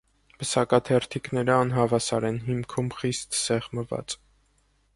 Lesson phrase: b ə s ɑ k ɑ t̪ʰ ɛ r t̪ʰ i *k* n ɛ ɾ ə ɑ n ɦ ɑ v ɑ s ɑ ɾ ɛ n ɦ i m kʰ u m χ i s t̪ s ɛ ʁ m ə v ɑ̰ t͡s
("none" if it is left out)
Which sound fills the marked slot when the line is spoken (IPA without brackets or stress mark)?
k